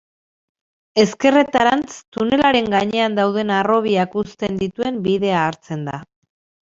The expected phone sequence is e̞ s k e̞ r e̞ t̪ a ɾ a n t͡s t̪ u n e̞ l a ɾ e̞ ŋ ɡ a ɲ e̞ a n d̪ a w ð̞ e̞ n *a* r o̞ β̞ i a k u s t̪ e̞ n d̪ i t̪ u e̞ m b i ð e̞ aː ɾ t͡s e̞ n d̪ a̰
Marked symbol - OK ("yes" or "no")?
yes